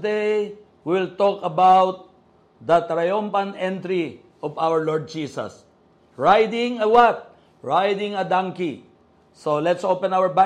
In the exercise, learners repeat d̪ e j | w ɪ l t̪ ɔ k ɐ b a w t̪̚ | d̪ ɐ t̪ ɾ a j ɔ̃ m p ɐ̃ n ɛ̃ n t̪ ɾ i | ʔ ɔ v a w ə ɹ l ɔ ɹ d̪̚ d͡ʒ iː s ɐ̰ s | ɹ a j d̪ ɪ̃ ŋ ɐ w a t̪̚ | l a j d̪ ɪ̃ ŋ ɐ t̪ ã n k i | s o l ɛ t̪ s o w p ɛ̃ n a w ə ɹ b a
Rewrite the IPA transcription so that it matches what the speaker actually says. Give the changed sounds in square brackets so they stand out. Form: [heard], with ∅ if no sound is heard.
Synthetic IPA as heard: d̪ e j | w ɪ l t̪ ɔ k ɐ b a w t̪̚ | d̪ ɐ t̪ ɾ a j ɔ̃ m p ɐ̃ n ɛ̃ n t̪ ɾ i | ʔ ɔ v a w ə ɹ l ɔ ɹ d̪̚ d͡ʒ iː s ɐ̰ s | ɹ a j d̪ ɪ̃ ŋ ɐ w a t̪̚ | [ɹ] a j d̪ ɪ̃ ŋ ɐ [d̪] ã [ŋ] k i | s o l ɛ t̪ s o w p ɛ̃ n a w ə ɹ b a